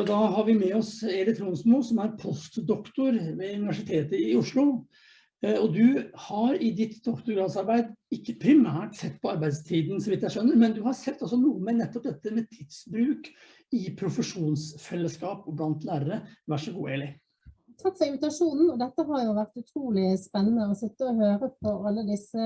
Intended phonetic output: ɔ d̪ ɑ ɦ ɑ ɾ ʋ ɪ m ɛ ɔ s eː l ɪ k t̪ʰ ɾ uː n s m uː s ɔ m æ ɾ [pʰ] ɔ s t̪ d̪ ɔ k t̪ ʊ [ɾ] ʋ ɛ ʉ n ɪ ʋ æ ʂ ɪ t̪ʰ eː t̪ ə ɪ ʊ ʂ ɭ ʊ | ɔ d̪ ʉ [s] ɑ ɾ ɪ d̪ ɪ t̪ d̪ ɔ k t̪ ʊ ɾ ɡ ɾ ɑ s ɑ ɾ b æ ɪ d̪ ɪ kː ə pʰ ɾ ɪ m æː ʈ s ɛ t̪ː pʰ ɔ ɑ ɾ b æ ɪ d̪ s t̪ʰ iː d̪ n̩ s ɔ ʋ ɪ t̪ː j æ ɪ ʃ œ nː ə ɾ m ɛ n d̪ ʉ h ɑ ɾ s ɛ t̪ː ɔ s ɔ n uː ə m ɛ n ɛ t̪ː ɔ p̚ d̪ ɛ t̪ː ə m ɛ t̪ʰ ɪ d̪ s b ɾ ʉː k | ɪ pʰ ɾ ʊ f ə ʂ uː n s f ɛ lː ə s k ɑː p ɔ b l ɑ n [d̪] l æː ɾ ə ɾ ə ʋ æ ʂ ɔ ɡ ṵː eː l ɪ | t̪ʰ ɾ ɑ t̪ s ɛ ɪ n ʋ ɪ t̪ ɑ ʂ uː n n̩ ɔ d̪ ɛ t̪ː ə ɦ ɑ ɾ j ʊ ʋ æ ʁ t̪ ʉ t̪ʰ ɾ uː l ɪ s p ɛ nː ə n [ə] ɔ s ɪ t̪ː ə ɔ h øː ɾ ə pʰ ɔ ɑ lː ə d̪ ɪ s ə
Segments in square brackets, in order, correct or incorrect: correct, correct, incorrect: h, incorrect: t̪, correct

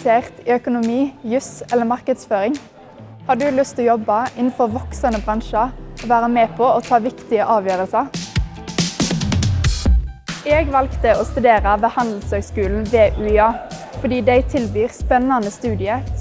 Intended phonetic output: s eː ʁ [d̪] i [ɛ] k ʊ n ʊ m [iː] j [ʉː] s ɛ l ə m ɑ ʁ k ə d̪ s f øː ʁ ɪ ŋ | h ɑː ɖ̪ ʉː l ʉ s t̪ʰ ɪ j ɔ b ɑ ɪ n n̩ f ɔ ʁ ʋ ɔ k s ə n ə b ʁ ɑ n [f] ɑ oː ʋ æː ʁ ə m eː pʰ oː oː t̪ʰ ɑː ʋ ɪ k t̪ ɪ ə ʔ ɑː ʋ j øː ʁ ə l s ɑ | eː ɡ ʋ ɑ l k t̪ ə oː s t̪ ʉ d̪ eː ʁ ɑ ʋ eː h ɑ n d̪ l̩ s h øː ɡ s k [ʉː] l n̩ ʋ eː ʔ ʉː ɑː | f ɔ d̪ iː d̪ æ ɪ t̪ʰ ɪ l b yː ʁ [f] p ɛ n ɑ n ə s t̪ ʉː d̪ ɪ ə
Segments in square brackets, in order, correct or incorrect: incorrect: t̪, incorrect: œ, correct, incorrect: ʉ, incorrect: ʃ, correct, incorrect: s

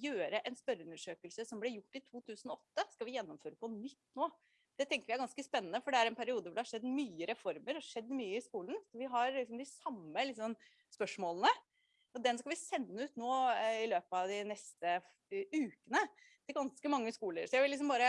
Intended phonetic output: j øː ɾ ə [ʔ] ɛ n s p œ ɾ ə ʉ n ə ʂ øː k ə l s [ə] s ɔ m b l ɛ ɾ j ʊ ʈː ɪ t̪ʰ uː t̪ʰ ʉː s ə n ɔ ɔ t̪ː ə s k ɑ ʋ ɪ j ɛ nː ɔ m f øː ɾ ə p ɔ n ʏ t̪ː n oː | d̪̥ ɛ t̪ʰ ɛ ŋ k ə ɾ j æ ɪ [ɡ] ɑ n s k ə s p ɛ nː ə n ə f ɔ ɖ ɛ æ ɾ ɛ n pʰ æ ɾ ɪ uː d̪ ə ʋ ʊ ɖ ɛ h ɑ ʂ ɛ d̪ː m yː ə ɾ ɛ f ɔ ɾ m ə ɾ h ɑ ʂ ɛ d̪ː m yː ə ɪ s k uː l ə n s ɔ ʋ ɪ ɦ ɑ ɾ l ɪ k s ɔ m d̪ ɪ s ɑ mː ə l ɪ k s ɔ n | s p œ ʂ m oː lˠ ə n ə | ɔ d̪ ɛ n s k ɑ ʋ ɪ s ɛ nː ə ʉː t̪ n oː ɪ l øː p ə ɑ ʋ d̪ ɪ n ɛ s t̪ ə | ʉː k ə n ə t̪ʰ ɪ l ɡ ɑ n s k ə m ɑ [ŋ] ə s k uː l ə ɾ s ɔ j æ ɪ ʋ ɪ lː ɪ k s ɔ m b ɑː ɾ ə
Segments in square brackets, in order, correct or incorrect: correct, correct, correct, incorrect: ŋː

